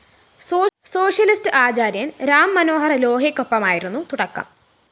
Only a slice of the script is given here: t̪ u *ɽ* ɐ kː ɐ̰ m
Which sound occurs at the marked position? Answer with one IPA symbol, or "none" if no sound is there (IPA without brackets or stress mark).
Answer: ɽ